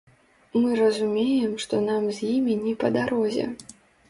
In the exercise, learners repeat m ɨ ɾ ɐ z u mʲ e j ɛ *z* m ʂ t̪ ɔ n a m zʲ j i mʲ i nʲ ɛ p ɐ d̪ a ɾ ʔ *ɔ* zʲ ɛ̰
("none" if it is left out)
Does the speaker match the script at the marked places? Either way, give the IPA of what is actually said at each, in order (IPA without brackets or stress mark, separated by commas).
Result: none, ɔ